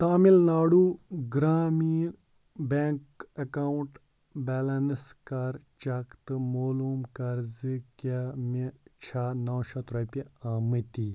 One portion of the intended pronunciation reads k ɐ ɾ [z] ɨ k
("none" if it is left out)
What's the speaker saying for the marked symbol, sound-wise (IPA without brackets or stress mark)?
z